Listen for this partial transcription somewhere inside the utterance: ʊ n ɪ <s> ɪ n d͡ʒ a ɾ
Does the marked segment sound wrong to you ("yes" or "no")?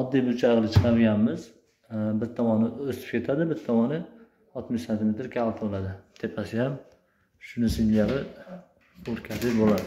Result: no